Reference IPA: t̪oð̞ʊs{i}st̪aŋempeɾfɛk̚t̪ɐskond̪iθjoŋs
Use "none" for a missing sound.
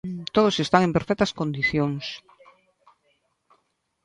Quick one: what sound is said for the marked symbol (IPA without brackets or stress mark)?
e